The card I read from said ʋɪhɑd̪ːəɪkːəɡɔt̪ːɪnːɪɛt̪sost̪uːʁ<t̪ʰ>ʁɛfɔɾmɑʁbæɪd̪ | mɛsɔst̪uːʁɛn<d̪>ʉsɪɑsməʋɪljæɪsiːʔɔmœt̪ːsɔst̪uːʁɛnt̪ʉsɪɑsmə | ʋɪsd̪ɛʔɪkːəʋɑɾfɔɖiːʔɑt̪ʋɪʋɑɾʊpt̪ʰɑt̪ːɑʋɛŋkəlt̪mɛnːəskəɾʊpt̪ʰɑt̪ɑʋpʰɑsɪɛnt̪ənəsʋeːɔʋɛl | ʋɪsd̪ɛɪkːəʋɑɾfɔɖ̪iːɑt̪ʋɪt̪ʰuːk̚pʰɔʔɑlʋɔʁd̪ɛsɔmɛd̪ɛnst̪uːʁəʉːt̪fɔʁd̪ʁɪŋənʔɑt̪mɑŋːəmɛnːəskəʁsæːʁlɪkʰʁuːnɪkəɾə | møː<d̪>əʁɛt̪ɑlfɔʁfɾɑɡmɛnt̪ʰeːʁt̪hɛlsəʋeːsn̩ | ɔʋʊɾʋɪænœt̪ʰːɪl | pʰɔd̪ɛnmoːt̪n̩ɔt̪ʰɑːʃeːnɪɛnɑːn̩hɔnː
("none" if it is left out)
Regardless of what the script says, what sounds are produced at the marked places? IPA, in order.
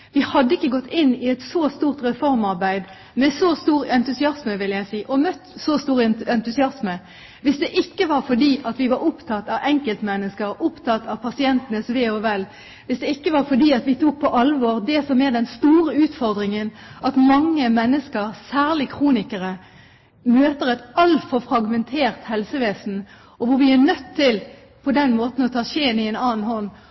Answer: t̪, t̪, t̪

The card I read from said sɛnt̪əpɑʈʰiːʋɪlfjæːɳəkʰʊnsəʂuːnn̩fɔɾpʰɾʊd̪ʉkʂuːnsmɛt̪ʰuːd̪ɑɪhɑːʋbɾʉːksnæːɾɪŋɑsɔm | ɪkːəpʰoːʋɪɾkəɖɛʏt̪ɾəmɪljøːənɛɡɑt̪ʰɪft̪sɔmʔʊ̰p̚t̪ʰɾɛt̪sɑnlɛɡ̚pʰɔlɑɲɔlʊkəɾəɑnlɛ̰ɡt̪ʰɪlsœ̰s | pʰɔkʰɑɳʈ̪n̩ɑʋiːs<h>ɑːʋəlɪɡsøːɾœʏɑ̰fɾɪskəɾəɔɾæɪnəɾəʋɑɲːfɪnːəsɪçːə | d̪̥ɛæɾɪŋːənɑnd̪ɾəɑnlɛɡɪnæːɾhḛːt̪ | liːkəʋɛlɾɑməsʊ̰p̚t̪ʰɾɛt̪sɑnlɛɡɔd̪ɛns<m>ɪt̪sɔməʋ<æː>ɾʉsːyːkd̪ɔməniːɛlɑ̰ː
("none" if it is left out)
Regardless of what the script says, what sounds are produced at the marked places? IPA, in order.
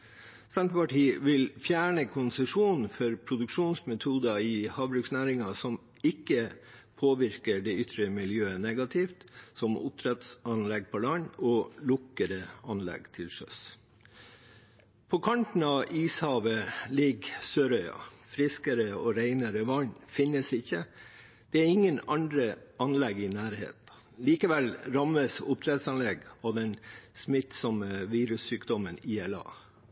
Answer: h, m, iː

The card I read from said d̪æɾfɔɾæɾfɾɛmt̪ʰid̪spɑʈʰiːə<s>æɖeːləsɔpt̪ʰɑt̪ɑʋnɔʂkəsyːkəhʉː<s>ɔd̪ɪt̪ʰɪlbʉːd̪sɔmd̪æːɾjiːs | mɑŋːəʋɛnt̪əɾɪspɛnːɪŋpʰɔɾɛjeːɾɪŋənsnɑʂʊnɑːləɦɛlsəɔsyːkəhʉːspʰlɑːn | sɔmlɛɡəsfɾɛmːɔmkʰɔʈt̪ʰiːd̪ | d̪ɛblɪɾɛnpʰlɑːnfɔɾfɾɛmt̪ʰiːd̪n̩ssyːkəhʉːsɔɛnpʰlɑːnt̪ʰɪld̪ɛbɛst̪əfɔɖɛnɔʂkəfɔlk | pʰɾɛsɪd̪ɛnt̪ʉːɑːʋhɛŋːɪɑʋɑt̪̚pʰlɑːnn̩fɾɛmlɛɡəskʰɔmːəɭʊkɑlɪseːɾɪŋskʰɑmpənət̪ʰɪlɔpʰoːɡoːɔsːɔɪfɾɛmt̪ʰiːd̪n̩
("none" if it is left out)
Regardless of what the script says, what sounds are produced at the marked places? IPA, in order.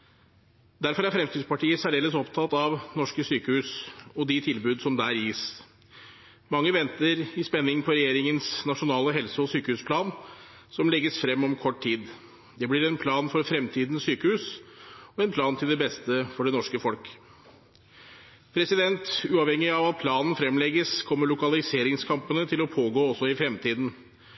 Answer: s, s

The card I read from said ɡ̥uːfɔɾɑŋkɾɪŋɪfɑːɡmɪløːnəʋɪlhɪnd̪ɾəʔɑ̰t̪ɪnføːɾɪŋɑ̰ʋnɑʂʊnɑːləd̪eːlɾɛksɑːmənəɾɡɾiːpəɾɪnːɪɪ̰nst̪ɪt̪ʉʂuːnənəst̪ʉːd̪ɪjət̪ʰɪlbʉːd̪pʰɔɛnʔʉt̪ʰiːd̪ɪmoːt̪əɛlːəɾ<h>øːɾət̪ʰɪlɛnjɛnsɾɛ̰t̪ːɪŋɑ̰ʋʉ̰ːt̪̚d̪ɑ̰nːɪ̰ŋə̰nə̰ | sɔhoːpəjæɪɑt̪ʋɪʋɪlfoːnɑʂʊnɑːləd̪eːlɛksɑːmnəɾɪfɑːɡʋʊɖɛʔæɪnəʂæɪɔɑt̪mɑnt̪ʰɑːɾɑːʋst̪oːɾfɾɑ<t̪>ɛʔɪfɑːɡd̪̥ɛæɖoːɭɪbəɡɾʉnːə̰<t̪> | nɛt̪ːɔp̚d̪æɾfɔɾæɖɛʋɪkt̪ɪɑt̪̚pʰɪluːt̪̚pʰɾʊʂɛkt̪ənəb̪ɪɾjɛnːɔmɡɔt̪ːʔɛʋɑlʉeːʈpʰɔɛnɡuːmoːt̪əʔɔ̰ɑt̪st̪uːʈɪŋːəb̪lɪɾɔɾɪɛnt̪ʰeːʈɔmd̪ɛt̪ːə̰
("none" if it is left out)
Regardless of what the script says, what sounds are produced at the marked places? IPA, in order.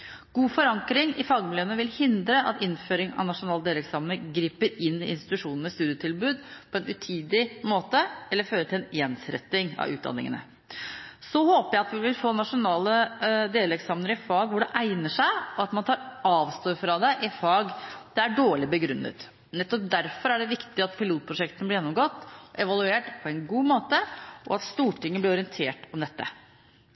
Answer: f, d̪, t̪

